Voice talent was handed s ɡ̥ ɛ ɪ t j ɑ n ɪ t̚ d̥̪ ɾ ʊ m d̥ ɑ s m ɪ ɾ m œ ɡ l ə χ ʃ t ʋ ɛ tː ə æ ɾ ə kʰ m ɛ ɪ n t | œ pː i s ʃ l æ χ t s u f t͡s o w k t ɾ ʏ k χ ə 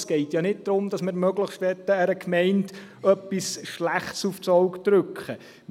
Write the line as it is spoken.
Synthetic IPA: s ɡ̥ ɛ ɪ t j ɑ n ɪ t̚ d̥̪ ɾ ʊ m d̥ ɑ s m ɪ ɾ m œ ɡ l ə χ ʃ t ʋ ɛ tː ə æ ɾ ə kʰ m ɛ ɪ n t | œ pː i s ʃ l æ χ t s u f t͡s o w k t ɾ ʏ k χ ə